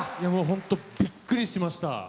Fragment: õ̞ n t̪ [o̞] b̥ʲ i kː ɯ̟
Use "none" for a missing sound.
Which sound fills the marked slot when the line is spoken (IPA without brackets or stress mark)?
o̞